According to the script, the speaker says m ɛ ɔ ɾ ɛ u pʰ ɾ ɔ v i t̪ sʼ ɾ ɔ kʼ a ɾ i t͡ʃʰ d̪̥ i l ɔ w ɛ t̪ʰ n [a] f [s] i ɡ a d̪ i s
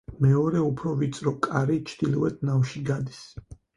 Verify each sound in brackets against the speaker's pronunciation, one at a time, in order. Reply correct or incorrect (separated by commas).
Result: correct, incorrect